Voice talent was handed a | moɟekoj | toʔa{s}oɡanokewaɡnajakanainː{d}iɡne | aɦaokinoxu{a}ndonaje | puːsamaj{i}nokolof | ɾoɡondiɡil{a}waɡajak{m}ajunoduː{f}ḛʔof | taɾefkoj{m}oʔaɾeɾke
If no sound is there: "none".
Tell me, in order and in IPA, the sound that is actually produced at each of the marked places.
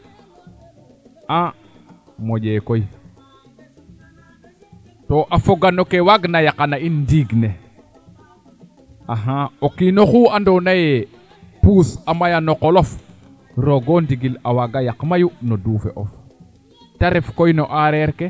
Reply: f, d, a, a, a, m, f, n

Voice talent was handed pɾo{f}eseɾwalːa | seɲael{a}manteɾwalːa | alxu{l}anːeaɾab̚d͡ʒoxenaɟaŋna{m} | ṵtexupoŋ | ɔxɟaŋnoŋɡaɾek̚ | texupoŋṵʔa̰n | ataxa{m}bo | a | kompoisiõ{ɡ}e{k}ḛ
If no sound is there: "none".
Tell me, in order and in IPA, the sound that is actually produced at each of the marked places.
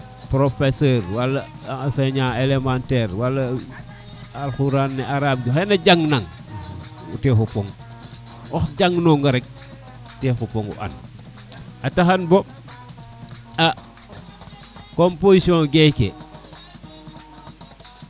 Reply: f, e, ɾ, ŋ, n, ɡ, k

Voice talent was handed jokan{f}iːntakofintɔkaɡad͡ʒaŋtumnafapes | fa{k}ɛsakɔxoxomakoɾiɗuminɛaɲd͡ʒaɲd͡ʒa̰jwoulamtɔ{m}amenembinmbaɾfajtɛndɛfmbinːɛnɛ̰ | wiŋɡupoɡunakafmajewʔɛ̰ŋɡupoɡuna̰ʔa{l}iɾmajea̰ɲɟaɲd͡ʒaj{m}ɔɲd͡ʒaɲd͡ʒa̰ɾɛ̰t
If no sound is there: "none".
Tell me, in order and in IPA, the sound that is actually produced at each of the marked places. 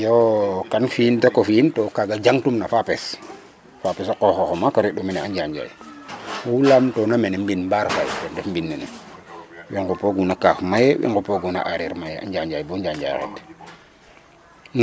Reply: f, p, n, ɾ, b

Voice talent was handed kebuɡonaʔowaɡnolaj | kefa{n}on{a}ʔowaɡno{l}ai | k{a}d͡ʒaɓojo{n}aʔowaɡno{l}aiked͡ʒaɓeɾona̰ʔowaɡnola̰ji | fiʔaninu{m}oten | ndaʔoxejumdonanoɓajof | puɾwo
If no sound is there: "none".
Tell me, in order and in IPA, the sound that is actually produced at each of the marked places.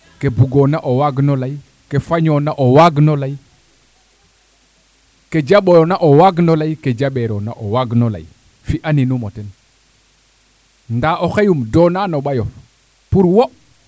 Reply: ɲ, a, l, e, n, l, m

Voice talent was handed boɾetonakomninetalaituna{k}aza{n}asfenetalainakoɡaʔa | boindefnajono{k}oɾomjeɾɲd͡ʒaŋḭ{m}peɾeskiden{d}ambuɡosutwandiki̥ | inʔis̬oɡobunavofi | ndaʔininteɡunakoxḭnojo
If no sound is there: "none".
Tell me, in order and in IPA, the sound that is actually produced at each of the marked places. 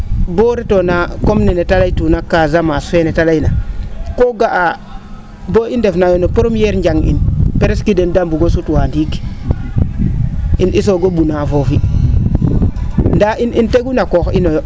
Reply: k, m, p, n, d

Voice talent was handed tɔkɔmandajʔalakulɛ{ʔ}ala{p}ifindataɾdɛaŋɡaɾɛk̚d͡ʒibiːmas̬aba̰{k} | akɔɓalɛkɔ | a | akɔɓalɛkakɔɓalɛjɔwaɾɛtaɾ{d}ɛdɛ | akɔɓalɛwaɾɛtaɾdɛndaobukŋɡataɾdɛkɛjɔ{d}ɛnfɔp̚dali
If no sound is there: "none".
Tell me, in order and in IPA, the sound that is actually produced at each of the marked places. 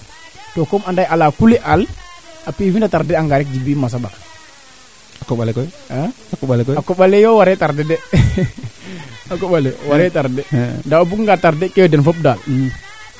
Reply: ʔ, p, k, d, d

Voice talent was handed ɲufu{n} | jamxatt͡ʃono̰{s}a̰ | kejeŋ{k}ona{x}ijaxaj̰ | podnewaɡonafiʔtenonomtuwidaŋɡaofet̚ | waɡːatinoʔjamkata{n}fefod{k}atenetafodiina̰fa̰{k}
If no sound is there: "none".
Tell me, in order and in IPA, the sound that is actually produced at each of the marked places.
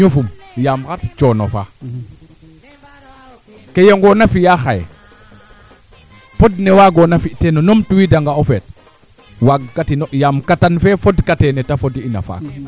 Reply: m, f, ɡ, f, n, k, k

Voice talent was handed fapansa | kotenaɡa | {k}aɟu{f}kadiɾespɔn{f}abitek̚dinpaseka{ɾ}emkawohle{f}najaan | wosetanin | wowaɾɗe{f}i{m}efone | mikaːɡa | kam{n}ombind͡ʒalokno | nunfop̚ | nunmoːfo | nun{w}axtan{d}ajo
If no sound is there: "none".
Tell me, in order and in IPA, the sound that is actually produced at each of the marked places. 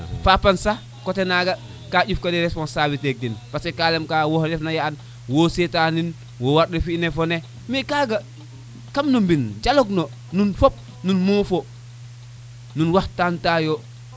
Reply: k, f, s, l, f, f, n, n, w, t

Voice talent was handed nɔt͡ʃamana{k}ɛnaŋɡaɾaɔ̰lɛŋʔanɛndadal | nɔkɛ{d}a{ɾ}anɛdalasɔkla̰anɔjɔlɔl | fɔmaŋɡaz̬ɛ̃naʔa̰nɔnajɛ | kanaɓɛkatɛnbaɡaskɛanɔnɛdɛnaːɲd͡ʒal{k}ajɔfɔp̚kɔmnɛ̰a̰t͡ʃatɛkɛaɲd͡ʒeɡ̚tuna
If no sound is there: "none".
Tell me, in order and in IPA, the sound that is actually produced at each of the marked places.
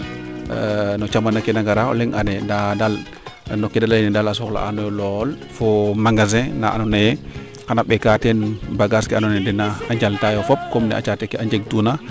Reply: k, d, l, t

